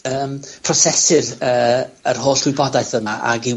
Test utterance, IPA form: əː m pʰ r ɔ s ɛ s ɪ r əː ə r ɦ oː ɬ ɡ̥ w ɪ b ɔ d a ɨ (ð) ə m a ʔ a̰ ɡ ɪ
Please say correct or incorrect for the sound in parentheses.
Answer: incorrect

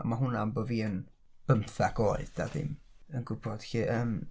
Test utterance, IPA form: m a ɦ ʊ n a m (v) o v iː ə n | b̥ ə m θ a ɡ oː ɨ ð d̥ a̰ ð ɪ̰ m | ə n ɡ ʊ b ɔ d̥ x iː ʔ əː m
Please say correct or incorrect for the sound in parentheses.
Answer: incorrect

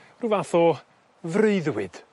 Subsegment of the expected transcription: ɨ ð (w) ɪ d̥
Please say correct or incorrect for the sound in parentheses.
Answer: correct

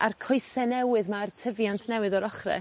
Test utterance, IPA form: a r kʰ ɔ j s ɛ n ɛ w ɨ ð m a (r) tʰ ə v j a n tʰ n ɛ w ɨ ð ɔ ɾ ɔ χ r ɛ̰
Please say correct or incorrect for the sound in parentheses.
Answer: correct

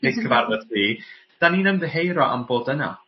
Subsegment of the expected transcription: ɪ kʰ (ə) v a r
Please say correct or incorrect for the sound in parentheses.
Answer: correct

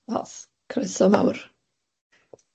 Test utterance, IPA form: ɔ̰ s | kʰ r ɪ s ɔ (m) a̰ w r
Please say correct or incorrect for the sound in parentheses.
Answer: correct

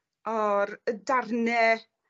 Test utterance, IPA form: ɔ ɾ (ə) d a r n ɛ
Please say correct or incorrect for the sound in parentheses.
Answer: correct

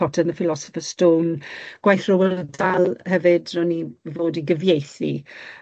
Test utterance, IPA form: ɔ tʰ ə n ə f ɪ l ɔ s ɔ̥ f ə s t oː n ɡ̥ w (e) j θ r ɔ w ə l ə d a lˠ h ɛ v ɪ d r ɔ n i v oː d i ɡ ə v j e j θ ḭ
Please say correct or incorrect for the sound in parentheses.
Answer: incorrect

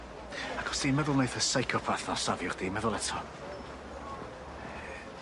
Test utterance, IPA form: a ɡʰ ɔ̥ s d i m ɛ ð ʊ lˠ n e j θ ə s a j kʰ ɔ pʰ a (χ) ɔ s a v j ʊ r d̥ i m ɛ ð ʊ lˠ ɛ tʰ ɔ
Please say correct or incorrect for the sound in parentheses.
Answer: incorrect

